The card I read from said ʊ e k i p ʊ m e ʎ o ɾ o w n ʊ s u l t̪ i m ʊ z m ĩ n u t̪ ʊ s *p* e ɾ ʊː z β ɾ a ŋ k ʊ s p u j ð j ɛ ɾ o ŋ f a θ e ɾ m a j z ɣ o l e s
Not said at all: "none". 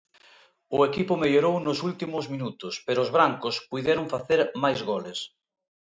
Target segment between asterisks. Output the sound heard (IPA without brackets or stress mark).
p